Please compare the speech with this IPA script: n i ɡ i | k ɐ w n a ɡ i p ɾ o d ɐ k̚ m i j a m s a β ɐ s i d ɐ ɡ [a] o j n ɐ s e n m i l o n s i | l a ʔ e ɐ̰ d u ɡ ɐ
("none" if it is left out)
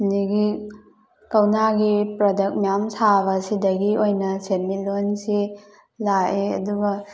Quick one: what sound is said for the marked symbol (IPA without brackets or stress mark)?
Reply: i